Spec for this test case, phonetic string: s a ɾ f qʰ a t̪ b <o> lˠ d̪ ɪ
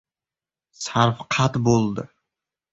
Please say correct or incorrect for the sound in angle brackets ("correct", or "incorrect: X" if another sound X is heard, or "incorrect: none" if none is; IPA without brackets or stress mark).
correct